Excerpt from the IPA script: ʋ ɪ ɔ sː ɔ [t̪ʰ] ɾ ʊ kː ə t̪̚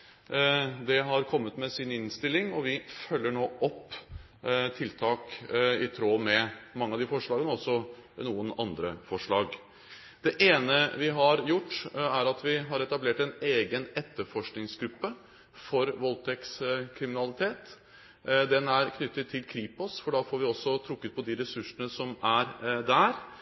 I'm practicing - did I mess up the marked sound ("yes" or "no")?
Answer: no